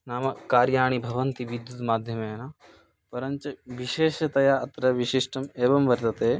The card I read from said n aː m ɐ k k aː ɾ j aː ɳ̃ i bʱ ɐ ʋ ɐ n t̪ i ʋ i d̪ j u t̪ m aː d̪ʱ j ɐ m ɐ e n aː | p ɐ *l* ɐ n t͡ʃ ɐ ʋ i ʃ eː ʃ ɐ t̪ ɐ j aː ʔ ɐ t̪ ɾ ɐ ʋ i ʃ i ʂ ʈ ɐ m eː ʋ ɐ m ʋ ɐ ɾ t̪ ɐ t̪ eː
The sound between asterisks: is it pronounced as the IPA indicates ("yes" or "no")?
no